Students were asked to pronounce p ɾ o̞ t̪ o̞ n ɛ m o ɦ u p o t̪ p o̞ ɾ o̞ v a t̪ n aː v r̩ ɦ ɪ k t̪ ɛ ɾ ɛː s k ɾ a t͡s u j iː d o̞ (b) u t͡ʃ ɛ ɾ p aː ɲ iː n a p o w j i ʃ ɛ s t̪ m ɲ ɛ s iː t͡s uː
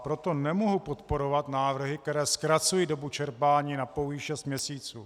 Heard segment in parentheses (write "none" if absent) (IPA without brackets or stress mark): b